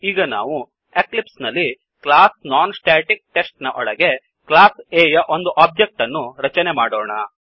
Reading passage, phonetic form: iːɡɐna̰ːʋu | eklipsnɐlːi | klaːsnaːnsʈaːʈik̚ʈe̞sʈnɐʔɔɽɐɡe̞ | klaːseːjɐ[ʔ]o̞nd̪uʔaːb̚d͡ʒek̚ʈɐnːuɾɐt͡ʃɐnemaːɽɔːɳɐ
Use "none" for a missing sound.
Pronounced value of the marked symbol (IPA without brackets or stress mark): ʔ